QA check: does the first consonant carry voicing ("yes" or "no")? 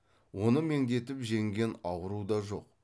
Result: yes